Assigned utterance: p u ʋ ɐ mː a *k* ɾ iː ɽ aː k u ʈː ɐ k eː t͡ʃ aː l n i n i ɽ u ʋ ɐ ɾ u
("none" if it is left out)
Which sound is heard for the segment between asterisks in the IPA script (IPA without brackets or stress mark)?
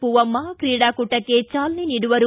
k